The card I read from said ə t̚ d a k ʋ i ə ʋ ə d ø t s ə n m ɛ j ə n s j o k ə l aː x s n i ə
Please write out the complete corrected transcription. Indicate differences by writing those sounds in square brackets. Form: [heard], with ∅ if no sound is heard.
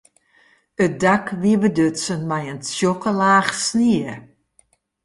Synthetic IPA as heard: ə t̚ d a k ʋ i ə ʋ ə d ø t s ə n m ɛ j ə n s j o k ə l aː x s n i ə